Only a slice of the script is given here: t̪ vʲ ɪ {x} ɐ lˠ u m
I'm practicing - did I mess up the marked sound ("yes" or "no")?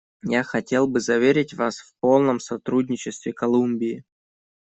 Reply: yes